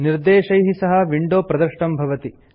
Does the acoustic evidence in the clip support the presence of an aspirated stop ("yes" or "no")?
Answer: no